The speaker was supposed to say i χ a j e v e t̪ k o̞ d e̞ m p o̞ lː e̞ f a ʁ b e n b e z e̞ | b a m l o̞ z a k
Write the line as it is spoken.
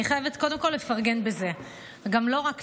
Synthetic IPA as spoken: i χ a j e v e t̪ k o̞ d e̞ m k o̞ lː e̞ f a ʁ ɡ e n b e z e̞ | ɡ a m l o̞ ʁ a k